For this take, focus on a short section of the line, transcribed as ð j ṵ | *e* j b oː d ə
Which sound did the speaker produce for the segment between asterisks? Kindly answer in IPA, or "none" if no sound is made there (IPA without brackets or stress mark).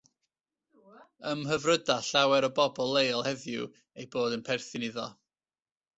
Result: e